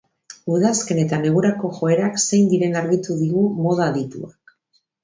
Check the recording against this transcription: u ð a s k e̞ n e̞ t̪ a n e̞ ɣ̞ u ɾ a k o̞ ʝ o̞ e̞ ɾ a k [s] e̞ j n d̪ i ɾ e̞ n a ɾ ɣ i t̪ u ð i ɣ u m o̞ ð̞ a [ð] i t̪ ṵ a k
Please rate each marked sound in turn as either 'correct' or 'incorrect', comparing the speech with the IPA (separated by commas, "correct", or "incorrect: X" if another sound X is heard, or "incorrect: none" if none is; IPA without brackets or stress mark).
correct, correct